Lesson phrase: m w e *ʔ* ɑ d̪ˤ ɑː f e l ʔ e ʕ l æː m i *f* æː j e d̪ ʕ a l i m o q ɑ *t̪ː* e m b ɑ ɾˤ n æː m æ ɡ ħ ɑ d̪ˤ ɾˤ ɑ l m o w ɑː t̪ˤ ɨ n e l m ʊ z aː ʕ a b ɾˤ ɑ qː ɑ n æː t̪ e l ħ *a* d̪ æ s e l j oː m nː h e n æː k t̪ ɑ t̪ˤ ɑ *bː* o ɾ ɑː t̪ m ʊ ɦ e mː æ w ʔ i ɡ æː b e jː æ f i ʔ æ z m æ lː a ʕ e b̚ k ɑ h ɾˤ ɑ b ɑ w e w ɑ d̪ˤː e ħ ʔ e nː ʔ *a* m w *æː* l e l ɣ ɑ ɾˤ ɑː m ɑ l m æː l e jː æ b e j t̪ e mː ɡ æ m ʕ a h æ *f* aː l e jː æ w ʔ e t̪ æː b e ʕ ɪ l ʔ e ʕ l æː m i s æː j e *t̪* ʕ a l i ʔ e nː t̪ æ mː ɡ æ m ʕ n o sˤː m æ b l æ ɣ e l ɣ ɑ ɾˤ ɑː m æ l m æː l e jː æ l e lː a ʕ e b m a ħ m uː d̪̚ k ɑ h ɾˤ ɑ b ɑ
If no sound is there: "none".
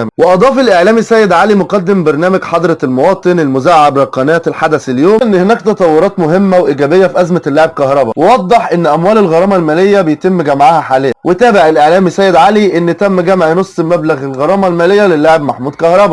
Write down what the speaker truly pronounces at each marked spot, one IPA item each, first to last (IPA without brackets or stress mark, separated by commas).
ʔ, s, d̪ː, a, wː, æ, æː, ħ, d̪